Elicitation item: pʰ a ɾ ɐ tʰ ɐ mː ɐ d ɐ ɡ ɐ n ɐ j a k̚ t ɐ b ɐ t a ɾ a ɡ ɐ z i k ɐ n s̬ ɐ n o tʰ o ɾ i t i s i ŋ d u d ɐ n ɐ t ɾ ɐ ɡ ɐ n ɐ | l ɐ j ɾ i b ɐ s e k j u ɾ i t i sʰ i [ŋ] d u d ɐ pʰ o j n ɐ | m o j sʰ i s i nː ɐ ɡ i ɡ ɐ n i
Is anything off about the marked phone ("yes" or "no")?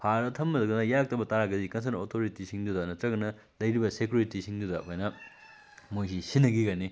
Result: no